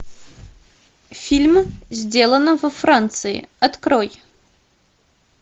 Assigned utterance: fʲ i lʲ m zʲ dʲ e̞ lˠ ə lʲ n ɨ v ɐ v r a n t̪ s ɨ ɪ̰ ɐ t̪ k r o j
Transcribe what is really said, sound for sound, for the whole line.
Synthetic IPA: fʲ i lʲ m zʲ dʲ e̞ lˠ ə n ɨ v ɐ f r a n t̪ s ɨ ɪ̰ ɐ t̪ k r o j